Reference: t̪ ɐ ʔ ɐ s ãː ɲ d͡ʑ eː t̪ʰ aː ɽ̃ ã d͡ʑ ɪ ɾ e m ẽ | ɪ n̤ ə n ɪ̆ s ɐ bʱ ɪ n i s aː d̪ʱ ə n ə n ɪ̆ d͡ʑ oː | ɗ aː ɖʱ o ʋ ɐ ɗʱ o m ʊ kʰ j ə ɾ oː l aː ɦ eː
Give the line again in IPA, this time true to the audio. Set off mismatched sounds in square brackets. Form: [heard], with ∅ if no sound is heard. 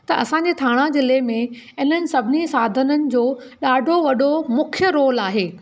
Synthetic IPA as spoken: t̪ ɐ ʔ ɐ s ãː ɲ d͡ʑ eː t̪ʰ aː ɽ̃ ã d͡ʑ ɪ [l] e m ẽ | ɪ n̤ ə n ɪ̆ s ɐ bʱ ɪ n i s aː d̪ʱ ə n ə n ɪ̆ d͡ʑ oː | ɗ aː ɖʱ o ʋ ɐ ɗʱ o m ʊ kʰ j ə ɾ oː l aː ɦ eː